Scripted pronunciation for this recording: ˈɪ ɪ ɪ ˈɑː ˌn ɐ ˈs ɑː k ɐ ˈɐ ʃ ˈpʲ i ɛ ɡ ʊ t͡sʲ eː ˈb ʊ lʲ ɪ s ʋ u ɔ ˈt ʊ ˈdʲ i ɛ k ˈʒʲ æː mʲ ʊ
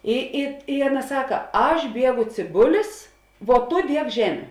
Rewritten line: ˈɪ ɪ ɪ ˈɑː ˌn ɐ ˈs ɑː k ɐ ˈɐ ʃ ˈbʲ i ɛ ɡ ʊ t͡sʲ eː ˈb ʊ lʲ ɪ s ʋ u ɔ ˈt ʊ ˈdʲ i ɛ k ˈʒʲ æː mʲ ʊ